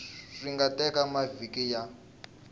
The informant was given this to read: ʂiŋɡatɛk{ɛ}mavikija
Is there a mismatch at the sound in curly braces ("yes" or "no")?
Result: yes